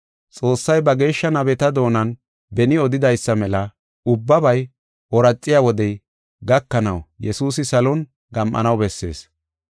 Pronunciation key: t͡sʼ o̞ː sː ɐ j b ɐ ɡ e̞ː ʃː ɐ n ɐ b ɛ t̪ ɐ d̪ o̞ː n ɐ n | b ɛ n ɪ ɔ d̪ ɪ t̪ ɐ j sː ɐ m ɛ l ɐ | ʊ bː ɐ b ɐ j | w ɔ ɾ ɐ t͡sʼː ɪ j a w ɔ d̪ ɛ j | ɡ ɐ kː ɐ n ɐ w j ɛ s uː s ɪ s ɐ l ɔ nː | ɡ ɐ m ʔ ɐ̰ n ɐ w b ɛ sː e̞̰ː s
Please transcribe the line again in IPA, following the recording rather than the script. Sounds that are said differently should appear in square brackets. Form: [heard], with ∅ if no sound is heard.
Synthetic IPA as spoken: t͡sʼ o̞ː sː ɐ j b ɐ ɡ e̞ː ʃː ɐ n ɐ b ɛ t̪ ɐ d̪ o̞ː n ɐ n | b ɛ n ɪ ɔ d̪ ɪ [d̪] ɐ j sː ɐ m ɛ l ɐ | ʊ bː ɐ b ɐ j | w ɔ ɾ ɐ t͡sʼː ɪ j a w ɔ d̪ ɛ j | ɡ ɐ kː ɐ n ɐ w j ɛ s uː s ɪ s ɐ l ɔ [n] | ɡ ɐ m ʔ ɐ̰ n ɐ w b ɛ sː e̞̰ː s